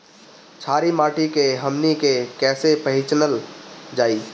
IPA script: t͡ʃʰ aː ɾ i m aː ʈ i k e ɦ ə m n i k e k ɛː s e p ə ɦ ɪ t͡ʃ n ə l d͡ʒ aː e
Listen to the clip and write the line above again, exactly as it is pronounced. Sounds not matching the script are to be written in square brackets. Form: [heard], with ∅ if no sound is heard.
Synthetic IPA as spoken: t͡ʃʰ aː ɾ i m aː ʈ i k e ɦ ə m n i k e k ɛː s e p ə ɦ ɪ t͡ʃ n ə l d͡ʒ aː [i]

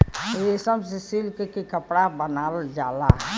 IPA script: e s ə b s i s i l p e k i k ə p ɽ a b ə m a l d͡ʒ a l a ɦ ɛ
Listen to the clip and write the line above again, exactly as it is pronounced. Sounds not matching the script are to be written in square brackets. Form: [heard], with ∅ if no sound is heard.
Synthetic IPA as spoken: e s ə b s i s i l [k] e k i k ə p ɽ a b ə [n] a l d͡ʒ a l a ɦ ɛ

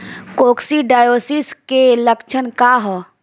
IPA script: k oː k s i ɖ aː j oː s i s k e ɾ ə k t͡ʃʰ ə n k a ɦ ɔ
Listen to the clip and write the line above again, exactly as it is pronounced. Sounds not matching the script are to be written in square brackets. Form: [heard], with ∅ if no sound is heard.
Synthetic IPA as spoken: k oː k s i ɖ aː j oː s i s k e [l] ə k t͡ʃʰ ə n k a ɦ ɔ

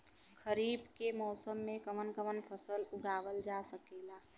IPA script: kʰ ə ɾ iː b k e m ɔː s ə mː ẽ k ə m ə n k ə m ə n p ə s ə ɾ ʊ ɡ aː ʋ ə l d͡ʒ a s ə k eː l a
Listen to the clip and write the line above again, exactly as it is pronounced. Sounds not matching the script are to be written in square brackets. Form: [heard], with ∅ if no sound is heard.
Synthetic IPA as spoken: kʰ ə ɾ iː b k e m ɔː s ə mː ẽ k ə m ə n k ə m ə n [pʰ] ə s ə [l] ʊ ɡ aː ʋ ə l d͡ʒ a s ə k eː l a

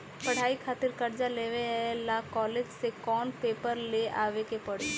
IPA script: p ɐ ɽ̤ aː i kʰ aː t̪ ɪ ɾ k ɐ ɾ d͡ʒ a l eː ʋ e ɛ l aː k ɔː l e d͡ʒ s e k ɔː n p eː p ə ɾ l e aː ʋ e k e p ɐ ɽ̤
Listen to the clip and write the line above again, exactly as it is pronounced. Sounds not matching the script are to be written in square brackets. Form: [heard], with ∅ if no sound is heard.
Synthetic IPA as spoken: p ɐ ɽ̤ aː i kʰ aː t̪ ɪ ɾ k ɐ ɾ d͡ʒ a l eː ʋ e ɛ l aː k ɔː l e d͡ʒ s e k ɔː n p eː p ə ɾ l e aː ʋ e k e p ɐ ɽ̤

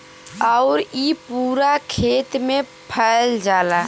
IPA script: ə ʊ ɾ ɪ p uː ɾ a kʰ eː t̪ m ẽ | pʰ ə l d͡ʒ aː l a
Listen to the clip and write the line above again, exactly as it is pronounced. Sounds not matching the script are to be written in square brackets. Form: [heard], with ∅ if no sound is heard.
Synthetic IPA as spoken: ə ʊ ɾ [i] p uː ɾ a kʰ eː t̪ m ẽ | pʰ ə l d͡ʒ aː l a

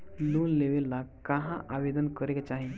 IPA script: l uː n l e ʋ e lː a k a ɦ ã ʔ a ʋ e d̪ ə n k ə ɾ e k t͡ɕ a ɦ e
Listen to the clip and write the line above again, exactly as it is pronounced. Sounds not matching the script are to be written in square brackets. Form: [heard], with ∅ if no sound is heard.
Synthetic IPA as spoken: l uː n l e ʋ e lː a k a ɦ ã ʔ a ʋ e d̪ ə n k ə ɾ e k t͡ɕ a ɦ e

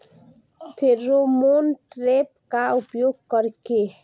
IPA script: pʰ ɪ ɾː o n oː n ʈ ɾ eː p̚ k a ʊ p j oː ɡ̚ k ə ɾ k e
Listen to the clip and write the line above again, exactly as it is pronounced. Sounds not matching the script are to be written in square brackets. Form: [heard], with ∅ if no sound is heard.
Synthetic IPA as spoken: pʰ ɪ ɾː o [m] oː n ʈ ɾ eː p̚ k a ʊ p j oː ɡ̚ k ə ɾ k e

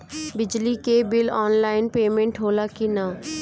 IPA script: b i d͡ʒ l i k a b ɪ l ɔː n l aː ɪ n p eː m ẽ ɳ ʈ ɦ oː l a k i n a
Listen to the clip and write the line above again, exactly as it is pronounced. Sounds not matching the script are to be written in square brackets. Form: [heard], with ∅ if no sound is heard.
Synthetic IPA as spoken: b [ɪ] d͡ʒ l i k [e] b ɪ l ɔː n l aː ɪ n p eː m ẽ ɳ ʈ ɦ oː l a k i n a

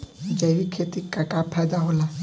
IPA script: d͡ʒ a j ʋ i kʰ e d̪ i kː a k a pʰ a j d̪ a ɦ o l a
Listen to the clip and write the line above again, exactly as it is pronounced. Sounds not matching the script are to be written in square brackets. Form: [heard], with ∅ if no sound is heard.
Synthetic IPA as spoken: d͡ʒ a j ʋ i kʰ e [t̪] i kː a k a pʰ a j d̪ a ɦ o l a

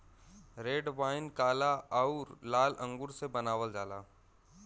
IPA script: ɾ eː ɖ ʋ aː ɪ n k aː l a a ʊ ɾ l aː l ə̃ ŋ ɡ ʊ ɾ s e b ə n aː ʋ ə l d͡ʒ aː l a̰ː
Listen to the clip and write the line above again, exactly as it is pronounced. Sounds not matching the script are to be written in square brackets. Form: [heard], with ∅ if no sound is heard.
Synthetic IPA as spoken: ɾ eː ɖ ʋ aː ɪ n k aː l a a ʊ ɾ l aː l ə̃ ŋ ɡ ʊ ɾ s e b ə n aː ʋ ə l d͡ʒ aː l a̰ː

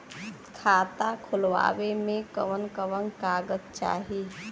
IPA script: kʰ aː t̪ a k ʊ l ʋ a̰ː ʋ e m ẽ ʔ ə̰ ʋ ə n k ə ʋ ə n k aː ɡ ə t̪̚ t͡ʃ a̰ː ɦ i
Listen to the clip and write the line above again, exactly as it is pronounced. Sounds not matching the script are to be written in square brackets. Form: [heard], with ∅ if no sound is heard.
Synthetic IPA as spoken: kʰ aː t̪ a [kʰ] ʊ l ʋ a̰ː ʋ e m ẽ [k] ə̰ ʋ ə n k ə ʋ ə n k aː ɡ ə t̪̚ t͡ʃ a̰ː ɦ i

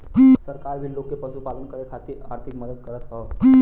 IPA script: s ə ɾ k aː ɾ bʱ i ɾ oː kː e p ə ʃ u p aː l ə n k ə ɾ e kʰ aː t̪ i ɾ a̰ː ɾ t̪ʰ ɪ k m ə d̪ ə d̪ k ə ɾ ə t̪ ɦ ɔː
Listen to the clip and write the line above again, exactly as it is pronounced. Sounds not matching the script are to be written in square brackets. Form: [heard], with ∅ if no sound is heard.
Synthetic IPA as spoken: s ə ɾ k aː ɾ bʱ i [l] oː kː e p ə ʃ u p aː l ə n k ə ɾ e kʰ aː t̪ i ɾ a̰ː ɾ t̪ʰ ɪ k m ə d̪ ə d̪ k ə ɾ ə t̪ ɦ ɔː

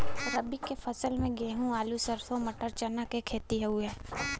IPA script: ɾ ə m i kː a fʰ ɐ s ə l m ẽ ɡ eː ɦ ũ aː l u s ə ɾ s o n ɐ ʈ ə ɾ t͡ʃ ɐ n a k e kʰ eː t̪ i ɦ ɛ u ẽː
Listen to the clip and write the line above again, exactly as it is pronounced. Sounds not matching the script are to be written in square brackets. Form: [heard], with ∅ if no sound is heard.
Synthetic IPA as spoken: ɾ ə [b] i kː [e] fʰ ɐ s ə l m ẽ ɡ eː ɦ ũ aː l u s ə ɾ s o [m] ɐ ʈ ə ɾ t͡ʃ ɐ n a k e kʰ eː t̪ i ɦ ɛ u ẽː

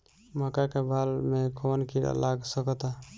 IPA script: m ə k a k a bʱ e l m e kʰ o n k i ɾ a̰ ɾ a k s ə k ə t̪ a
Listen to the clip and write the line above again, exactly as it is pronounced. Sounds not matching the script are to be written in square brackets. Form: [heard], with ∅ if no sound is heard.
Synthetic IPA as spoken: m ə k a k [e] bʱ [a] l m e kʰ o n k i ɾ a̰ [l] a [ɡ] s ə k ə t̪ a

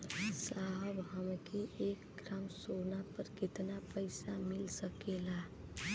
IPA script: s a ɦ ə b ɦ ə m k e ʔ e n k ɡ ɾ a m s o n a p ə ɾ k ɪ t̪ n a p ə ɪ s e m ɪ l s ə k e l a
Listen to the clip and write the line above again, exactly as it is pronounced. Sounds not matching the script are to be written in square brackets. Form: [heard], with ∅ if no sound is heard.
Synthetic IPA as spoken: s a ɦ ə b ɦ ə m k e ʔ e [∅] k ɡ ɾ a m s o n a p ə ɾ k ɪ t̪ n a p ə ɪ s [a] m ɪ l s ə k e l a

